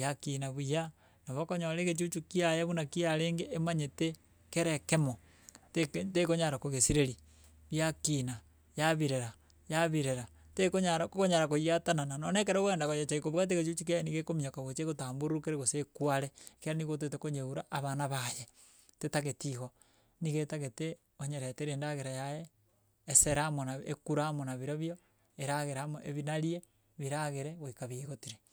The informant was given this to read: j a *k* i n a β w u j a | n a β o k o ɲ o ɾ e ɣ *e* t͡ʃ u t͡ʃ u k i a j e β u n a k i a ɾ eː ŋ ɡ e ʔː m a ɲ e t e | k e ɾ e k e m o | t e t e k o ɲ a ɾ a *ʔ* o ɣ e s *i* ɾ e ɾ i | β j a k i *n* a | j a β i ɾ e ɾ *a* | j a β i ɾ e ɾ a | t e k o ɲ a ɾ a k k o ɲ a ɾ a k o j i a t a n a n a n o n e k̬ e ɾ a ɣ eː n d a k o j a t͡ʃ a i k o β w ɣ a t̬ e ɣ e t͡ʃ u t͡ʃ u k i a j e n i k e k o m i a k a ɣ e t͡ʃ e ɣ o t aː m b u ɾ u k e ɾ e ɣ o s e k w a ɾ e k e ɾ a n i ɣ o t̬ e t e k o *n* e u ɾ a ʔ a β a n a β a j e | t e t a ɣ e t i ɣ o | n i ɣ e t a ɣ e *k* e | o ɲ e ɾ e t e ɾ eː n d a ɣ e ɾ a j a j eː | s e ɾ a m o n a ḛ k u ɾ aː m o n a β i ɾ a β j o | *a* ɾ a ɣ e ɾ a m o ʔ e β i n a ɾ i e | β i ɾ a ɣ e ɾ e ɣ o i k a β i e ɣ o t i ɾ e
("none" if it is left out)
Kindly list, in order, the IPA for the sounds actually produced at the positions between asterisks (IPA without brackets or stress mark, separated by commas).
k, e, k, i, n, a, ɲ, t, e